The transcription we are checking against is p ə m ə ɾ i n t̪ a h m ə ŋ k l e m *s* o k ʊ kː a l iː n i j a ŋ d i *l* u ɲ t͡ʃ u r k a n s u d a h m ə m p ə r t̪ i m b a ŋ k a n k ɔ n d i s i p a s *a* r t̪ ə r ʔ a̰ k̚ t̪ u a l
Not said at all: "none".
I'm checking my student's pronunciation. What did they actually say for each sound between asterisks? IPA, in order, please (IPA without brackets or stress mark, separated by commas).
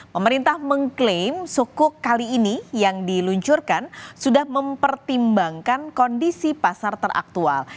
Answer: s, l, a